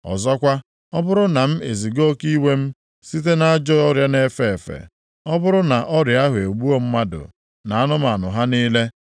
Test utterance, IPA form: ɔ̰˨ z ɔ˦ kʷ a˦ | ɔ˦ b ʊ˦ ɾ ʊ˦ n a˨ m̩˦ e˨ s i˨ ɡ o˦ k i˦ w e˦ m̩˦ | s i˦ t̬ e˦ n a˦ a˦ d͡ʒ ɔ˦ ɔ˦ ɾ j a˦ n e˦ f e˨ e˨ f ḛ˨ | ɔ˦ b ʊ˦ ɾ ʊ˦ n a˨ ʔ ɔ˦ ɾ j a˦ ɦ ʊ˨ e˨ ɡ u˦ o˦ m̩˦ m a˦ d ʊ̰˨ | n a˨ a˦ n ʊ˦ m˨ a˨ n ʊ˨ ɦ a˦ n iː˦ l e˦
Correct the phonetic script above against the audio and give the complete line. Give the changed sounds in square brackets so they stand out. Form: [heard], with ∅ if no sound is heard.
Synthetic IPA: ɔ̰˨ z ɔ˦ kʷ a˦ | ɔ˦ b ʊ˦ ɾ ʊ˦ n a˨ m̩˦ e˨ [z] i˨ ɡ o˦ k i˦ w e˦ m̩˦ | s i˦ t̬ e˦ n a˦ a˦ d͡ʒ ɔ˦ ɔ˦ ɾ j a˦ n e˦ f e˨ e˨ f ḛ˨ | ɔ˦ b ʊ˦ ɾ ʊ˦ n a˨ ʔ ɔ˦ ɾ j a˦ ɦ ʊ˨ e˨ [ɡ͡b] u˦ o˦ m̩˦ m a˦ d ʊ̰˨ | n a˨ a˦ n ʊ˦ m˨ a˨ n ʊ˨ ɦ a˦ n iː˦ l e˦